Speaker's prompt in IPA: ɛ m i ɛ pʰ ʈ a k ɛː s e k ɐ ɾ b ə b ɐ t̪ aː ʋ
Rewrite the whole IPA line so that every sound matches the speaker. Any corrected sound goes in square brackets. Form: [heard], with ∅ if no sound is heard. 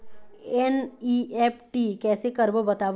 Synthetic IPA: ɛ [n] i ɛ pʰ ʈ [i] k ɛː s e k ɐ ɾ b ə b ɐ t̪ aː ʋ